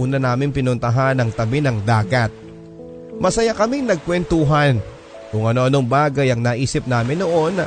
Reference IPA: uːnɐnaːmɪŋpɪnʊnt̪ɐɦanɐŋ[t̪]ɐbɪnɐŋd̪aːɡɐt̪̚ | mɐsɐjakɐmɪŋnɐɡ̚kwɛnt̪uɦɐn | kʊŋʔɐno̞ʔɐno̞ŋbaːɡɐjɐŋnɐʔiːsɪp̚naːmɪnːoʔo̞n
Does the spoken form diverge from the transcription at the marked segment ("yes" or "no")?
no